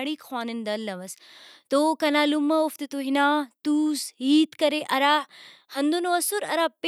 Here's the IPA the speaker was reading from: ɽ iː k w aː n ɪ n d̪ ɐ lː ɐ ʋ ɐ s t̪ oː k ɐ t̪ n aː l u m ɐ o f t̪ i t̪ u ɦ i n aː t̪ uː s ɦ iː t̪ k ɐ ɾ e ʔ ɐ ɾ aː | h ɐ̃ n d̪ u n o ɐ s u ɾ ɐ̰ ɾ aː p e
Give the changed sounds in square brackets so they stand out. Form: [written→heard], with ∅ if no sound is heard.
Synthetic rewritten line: ɽ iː [k→kʰ] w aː n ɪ n d̪ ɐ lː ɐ ʋ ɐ s t̪ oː k ɐ [t̪→∅] n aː l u m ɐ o f t̪ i t̪ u ɦ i n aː t̪ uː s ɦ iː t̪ k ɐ ɾ e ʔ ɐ ɾ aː | h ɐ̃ n d̪ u n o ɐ s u ɾ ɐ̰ ɾ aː p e